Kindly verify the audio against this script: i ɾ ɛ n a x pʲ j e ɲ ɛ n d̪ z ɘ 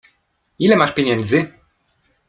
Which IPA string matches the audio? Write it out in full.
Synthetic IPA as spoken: i l ɛ m a ʂ pʲ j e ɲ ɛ n d̪ z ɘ